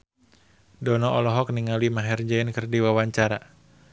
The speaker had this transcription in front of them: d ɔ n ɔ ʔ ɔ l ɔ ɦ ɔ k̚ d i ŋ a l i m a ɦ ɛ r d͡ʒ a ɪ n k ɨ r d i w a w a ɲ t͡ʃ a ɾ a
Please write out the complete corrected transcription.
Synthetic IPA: d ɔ n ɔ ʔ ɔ l ɔ ɦ ɔ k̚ n i ŋ a l i m a ɦ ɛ r d͡ʒ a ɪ n k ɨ r d i w a w a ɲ t͡ʃ a ɾ a